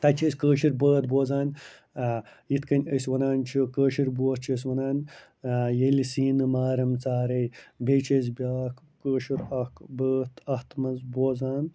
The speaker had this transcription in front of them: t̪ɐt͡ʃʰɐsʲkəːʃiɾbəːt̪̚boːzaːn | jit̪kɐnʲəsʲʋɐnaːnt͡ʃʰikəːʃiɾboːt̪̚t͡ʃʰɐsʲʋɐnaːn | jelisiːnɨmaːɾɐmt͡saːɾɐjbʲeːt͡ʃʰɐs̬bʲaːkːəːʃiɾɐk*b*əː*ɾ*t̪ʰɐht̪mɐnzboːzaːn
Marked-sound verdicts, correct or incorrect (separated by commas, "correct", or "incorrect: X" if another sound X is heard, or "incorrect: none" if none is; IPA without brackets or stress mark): correct, incorrect: none